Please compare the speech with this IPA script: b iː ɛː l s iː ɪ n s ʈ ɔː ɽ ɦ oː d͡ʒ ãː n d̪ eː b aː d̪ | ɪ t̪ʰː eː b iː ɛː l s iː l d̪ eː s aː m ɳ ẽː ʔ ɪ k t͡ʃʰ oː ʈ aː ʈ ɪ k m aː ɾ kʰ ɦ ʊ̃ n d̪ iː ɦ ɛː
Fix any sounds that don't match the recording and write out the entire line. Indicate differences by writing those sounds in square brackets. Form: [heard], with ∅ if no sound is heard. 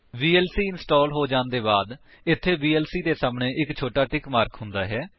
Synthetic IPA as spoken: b iː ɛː l s iː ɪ n s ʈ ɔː [l] ɦ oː d͡ʒ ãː n d̪ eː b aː d̪ | ɪ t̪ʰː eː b iː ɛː l s iː [∅] d̪ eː s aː m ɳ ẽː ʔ ɪ k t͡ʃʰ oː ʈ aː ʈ ɪ k m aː ɾ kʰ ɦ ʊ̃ n d̪ [aː] ɦ ɛː